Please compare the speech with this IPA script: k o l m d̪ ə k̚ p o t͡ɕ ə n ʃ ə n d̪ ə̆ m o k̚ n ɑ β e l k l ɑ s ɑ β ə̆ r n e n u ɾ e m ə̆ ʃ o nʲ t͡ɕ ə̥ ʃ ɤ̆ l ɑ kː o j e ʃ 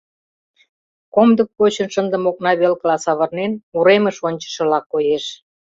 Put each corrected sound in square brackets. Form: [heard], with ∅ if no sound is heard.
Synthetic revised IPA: k o [∅] m d̪ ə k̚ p o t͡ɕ ə n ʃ ə n d̪ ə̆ m o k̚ n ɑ β e l k l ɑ s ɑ β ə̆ r n e n u ɾ e m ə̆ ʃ o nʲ t͡ɕ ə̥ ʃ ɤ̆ l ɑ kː o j e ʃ